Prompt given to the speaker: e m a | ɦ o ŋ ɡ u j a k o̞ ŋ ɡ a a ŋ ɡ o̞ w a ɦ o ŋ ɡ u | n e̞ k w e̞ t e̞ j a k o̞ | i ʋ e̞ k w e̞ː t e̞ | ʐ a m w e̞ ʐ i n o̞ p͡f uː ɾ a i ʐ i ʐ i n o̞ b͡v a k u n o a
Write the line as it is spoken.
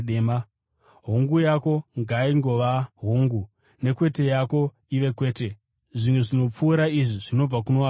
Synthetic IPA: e m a | ɦ o ŋ ɡ u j a k o̞ ŋ ɡ a i ŋ ɡ o̞ ʋ a ɦ o ŋ ɡ u | n e̞ k w e̞ t e̞ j a k o̞ | i ʋ e̞ k w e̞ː t e̞ | ʐ i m w e̞ ʐ i n o̞ p͡f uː ɾ a i ʐ i ʐ i n o̞ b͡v a k u n o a